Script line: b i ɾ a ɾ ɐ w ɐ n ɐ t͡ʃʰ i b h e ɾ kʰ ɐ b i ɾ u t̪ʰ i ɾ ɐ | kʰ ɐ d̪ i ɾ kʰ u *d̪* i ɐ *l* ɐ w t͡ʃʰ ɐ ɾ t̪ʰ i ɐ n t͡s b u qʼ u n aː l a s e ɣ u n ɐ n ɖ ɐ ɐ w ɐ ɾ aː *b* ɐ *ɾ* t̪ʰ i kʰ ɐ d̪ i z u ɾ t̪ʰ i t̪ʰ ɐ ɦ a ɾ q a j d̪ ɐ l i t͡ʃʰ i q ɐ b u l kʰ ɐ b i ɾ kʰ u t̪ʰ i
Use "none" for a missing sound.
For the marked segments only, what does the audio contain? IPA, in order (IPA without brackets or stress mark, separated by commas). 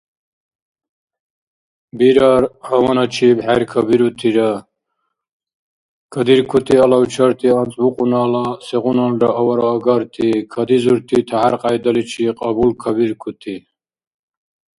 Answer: t̪, l, ɡ, ɾ